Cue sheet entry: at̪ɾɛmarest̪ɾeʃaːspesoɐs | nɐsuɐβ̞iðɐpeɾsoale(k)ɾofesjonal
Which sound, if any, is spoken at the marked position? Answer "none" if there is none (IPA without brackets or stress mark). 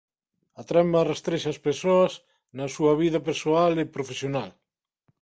p